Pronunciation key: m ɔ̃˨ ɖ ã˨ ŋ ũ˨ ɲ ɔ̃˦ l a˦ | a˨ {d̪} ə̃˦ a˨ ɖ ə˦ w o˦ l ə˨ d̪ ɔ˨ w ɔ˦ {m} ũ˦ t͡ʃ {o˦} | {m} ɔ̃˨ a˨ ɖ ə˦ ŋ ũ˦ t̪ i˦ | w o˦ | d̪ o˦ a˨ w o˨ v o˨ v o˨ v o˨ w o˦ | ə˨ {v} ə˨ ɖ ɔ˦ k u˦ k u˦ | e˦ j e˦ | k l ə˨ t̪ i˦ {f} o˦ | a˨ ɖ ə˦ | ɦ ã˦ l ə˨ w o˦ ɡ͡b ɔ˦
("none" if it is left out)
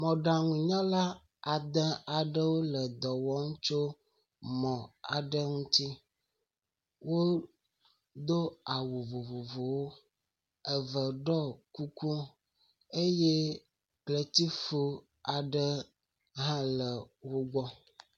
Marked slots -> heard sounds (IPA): d̪, ŋ, o˦, m, v, f

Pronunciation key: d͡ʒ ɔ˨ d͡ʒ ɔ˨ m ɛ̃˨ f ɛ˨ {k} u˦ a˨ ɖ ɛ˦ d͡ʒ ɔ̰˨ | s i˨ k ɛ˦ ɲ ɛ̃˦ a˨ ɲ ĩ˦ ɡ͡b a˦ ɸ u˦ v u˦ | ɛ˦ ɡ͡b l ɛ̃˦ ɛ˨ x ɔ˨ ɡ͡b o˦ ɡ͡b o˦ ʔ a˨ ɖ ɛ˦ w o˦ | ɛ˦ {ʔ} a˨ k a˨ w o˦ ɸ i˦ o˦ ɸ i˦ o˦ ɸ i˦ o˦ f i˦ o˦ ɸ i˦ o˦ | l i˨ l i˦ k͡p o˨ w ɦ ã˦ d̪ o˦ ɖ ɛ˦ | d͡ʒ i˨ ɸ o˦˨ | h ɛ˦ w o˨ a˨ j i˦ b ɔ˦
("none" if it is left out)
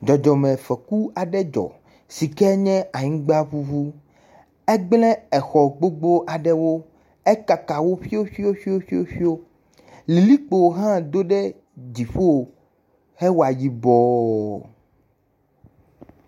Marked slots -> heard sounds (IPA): k, k

